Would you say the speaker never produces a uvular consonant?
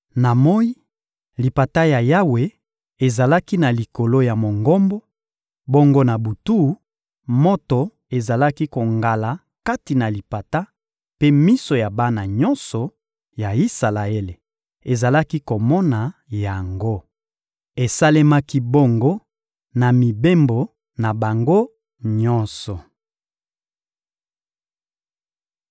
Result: yes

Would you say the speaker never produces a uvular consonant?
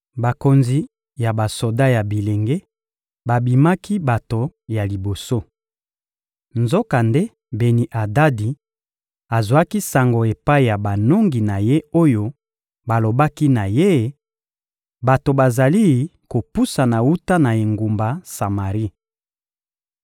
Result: no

